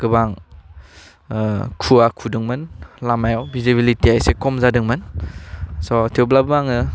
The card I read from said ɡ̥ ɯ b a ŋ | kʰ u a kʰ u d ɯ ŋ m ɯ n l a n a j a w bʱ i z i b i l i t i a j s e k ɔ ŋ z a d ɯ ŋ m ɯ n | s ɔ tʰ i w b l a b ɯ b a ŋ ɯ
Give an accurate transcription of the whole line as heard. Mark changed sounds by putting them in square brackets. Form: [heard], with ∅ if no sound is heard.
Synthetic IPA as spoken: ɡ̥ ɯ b a ŋ | kʰ u a kʰ u d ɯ ŋ m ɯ n l a [m] a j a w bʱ i z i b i l i t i a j s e k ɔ [m] z a d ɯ ŋ m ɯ n | s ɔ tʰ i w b l a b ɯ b a ŋ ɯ